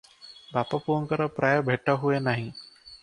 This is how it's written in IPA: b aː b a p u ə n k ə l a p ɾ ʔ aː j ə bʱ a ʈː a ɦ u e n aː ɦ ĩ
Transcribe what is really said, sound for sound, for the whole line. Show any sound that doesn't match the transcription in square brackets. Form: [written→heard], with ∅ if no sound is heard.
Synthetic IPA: b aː [b→p] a p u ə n k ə [l→ɾ] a p ɾ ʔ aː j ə bʱ [a→e] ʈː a ɦ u e n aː ɦ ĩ